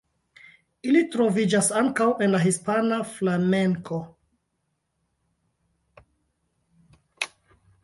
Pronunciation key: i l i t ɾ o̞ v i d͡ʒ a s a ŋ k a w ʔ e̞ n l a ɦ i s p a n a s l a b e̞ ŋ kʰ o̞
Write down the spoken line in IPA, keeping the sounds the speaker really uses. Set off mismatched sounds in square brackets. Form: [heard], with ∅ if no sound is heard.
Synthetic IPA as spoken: i l i t ɾ o̞ v i d͡ʒ a s a ŋ k a w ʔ e̞ n l a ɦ i s p a n a [f] l a [m] e̞ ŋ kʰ o̞

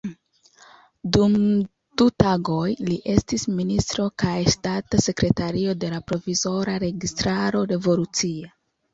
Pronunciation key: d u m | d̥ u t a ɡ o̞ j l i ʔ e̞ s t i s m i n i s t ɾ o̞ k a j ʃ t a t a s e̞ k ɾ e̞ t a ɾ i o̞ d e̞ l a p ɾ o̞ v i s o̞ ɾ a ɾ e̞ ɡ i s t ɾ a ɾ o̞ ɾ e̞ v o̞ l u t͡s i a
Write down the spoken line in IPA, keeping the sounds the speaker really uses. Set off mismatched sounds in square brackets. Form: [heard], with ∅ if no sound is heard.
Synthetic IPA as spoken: d u m | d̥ u t a ɡ o̞ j l i ʔ e̞ s t i s m i n i s t ɾ o̞ k a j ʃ t a t a s e̞ k ɾ e̞ t a ɾ i o̞ d e̞ l a p ɾ o̞ v i [z] o̞ ɾ a ɾ e̞ ɡ i s t ɾ a ɾ o̞ ɾ e̞ v o̞ l u t͡s i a

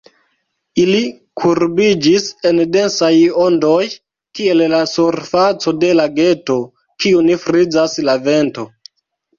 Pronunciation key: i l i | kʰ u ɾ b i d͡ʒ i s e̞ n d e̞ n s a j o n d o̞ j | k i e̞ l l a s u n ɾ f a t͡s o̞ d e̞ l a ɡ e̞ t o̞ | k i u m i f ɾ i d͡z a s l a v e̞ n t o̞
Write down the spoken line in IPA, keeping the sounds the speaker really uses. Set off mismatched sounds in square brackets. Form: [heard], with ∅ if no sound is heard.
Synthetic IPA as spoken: i l i | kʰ u ɾ b i d͡ʒ i s e̞ n d e̞ n s a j o n d o̞ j | k i e̞ l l a s u [∅] ɾ f a t͡s o̞ d e̞ l a ɡ e̞ t o̞ | k i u [n] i f ɾ i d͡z a s l a v e̞ n t o̞

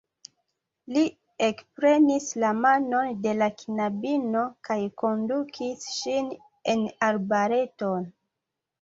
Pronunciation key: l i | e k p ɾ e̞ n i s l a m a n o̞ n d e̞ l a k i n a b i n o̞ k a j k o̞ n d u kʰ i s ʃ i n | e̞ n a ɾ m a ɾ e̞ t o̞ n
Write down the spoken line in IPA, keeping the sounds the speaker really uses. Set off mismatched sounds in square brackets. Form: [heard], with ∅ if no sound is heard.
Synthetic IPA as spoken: l i | e k p ɾ e̞ n i s l a m a n o̞ n d e̞ l a k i n a b i n o̞ k a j k o̞ n d u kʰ i s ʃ i n | e̞ n a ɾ [b] a ɾ e̞ t o̞ n

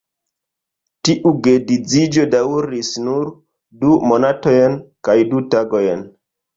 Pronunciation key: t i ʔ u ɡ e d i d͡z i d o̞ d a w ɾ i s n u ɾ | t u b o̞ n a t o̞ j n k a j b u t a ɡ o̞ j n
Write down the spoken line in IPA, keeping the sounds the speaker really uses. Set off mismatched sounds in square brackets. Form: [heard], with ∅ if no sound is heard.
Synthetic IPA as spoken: t i ʔ u ɡ e d i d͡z i [d͡ʒ] o̞ d a w ɾ i s n u ɾ | [d] u [m] o̞ n a t o̞ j n k a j [d] u t a ɡ o̞ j n

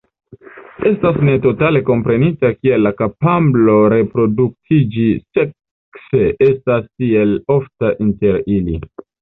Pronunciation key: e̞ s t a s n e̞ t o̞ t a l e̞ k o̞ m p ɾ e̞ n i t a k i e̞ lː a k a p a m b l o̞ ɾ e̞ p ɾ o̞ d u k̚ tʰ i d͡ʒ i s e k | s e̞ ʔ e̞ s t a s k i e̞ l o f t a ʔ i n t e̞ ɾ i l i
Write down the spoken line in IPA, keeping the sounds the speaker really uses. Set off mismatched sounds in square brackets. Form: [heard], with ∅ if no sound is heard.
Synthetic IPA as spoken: e̞ s t a s n e̞ t o̞ t a l e̞ k o̞ m p ɾ e̞ n i t a k i e̞ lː a k a p a m b l o̞ ɾ e̞ p ɾ o̞ d u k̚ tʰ i d͡ʒ i s e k | s e̞ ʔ e̞ s t a s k i e̞ l o f t a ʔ i n t e̞ ɾ i l i

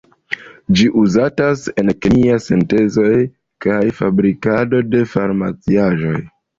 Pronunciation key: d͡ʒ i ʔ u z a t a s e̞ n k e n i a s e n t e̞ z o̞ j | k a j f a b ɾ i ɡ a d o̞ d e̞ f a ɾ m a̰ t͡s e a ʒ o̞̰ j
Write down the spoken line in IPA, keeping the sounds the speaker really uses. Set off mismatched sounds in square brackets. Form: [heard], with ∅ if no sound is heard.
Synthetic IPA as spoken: d͡ʒ i ʔ u z a t a s e̞ n k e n i a s e n t e̞ z o̞ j | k a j f a b ɾ i [k] a d o̞ d e̞ f a ɾ m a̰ t͡s [i] a ʒ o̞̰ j

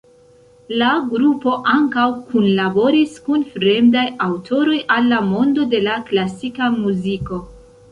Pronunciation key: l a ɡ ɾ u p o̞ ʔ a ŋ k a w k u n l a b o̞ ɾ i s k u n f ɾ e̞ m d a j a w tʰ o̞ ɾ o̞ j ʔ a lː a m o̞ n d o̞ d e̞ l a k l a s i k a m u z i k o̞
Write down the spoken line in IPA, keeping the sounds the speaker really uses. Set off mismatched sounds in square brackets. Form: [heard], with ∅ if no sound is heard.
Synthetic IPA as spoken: l a ɡ ɾ u p o̞ ʔ a ŋ k a w k u n l a b o̞ ɾ i s k u n f ɾ e̞ m d a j a w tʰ o̞ ɾ o̞ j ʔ a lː a m o̞ n d o̞ d e̞ l a k l a s i k a m u z i k o̞

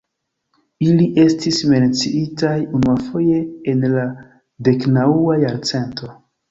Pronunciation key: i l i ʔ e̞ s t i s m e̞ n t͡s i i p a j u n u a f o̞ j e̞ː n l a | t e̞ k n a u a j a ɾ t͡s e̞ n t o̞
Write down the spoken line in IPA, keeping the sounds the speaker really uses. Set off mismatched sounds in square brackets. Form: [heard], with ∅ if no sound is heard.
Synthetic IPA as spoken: i l i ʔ e̞ s t i s m e̞ n t͡s i i [t] a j u n u a f o̞ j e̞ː n l a | [d] e̞ k n a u a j a ɾ t͡s e̞ n t o̞

